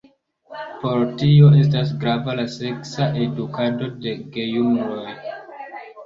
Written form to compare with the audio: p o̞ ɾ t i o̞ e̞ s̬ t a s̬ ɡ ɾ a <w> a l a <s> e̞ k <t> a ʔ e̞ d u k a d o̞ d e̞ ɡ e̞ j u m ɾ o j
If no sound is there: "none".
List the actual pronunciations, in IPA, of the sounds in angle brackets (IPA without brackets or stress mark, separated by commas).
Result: v, s, s